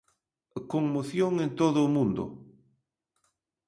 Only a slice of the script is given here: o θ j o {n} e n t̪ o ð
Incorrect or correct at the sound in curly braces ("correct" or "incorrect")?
incorrect